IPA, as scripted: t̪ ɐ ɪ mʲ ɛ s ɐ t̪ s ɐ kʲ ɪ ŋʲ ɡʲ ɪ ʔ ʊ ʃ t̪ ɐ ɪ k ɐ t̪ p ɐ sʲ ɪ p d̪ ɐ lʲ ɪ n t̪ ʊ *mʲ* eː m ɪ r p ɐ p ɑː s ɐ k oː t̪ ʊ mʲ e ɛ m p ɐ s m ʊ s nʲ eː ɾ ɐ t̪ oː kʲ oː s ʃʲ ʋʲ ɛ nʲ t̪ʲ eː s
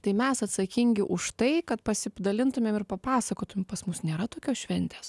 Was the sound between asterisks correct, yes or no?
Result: yes